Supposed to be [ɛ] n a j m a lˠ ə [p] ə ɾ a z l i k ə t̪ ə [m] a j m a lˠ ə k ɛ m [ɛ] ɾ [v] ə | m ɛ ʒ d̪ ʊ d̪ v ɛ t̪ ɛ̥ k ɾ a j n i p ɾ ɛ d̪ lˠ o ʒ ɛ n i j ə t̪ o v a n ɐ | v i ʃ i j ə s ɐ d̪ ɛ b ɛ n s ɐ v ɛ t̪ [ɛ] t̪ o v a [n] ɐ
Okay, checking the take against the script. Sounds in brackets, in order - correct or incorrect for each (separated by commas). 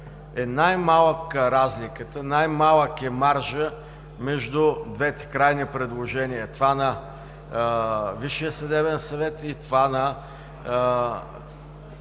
correct, incorrect, incorrect, incorrect, incorrect, incorrect, correct